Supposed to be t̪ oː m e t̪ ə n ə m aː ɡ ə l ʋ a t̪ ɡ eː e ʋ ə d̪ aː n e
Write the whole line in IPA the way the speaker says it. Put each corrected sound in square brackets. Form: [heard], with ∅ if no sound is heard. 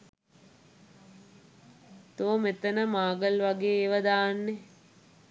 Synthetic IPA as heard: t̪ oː m e t̪ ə n ə m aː ɡ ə l ʋ a [∅] ɡ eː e ʋ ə d̪ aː [nː] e